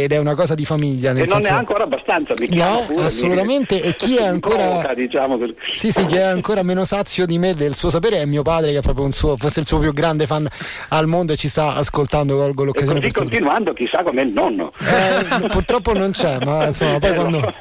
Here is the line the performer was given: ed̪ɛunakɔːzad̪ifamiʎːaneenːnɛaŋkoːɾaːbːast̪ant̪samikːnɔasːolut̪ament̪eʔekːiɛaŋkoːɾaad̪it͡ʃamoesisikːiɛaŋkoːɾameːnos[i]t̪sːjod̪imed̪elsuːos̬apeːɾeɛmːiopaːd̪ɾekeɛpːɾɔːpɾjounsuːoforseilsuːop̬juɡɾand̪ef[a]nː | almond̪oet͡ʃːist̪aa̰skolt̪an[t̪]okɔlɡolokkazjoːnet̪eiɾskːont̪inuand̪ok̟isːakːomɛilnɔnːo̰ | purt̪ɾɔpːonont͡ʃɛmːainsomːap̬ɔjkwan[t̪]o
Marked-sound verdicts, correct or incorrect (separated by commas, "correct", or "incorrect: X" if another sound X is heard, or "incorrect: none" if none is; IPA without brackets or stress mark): incorrect: a, correct, incorrect: d̪, incorrect: d̪